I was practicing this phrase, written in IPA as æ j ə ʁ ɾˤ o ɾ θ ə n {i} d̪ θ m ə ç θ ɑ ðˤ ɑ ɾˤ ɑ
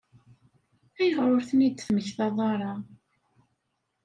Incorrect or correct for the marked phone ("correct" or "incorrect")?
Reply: correct